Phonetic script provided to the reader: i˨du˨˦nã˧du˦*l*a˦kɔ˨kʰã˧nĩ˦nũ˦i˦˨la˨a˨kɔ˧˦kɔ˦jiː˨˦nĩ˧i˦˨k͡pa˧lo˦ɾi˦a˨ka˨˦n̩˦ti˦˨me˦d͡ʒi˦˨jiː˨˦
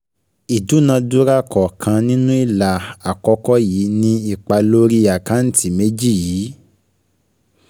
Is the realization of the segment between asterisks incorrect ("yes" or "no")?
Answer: yes